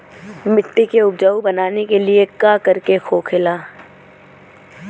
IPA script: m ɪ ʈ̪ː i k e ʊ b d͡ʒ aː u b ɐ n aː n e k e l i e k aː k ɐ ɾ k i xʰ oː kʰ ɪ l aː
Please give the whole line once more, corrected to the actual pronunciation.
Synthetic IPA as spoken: m ɪ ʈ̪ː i k e ʊ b d͡ʒ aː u b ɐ n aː n e k e l i e k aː k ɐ ɾ k e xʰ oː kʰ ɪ l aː

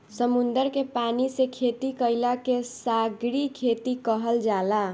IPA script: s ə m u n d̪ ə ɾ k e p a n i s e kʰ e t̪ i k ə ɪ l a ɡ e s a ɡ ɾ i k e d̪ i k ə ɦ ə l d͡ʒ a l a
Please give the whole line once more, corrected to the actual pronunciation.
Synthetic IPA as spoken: s ə m u n d̪ ə ɾ k e p a n i s e kʰ e t̪ i k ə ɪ l a k e s a ɡ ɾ i kʰ e t̪ i k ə ɦ ə l d͡ʒ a l a

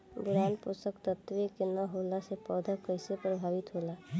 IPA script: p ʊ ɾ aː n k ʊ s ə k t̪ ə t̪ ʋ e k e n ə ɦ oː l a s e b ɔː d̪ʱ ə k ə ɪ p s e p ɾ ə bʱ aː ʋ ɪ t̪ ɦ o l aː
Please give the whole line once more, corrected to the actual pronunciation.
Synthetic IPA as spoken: b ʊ ɾ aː n p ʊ s ə k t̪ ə t̪ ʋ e k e n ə ɦ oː l a s e p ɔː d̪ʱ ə k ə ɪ s e p ɾ ə bʱ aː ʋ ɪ t̪ ɦ o l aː

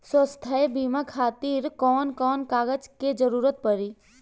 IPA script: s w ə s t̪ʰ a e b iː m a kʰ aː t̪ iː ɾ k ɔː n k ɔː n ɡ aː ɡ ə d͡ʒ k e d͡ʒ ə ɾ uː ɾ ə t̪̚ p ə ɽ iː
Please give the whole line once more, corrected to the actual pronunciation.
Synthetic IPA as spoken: s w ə s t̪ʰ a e b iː m a kʰ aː t̪ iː ɾ k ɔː n k ɔː n k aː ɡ ə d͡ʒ k e d͡ʒ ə ɾ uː ɾ ə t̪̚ p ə ɾ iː

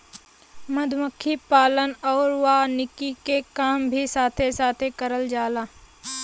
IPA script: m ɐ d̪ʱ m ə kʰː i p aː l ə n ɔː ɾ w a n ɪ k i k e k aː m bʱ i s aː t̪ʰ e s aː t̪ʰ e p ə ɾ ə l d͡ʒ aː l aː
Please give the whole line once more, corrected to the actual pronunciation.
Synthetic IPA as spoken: m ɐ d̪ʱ m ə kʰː i p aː l ə n ɔː ɾ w a n ɪ k i k e k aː m bʱ i s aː t̪ʰ e s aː t̪ʰ e k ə ɾ ə l d͡ʒ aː l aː

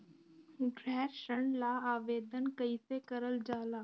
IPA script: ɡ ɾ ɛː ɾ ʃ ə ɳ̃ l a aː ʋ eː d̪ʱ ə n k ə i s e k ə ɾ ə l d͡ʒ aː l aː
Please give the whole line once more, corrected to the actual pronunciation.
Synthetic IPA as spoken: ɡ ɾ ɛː ɾ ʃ ə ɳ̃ l a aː ʋ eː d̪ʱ ə n k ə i s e k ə ɾ ə l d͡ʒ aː l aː

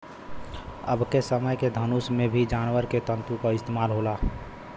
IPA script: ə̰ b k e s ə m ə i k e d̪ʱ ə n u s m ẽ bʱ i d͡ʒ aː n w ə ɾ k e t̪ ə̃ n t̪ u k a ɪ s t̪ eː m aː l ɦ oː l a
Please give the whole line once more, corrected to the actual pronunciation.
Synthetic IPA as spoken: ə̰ b k e s ə m ə j k e d̪ʱ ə n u s m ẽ bʱ i d͡ʒ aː n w ə ɾ k e t̪ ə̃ n t̪ u k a ɪ s t̪ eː m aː l ɦ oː l a

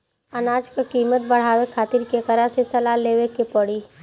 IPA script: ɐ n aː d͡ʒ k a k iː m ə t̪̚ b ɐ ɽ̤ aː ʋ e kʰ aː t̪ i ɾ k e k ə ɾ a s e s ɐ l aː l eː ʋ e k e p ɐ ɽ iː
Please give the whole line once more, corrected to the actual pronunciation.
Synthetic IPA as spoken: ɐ n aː d͡ʒ k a k iː m ə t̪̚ b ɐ ɽ̤ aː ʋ e kʰ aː t̪ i ɾ k e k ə ɾ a s e s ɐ l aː l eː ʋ e k e p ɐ ɽ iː

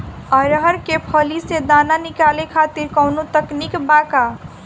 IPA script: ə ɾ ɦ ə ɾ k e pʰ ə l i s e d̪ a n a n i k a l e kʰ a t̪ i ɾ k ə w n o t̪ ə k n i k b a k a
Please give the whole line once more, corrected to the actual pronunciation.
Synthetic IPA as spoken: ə ɾ ɦ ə ɾ k e pʰ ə l i s e d̪ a n a n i k a l e kʰ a t̪ i ɾ k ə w n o t̪ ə k n i k b a k a

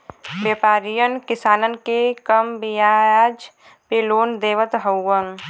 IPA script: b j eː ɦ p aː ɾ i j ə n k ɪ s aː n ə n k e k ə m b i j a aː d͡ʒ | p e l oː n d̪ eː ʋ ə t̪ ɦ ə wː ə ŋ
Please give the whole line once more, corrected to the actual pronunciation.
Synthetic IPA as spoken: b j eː p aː ɾ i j ə n k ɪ s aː n ə n k e k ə m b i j a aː d͡ʒ | p e l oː n d̪ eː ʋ ə t̪ ɦ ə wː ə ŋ

